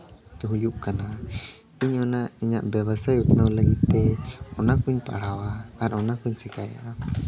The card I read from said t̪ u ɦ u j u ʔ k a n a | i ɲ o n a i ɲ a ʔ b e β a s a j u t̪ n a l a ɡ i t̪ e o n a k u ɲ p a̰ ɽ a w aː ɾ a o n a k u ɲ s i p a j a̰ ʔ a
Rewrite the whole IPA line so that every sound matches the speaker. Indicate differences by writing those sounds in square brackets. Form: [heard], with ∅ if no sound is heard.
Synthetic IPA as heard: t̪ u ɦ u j u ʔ k a n a | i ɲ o n a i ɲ a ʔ b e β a s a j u t̪ n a l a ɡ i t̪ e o n a k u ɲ p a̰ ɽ a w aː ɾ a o n a k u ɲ s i [k] a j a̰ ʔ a